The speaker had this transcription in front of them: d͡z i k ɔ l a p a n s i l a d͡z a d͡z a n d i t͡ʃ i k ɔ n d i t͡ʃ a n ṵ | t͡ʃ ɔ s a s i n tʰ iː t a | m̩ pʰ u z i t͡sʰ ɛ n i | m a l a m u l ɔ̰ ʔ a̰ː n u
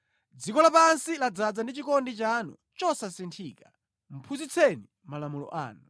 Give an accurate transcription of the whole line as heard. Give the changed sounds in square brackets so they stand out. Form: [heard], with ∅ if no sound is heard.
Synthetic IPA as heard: d͡z i k ɔ l a p a n s i l a d͡z a d͡z a n d i t͡ʃ i k ɔ n d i t͡ʃ a n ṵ | t͡ʃ ɔ s a s i n tʰ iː [k] a | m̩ pʰ u z i t͡sʰ ɛ n i | m a l a m u l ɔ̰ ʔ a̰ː n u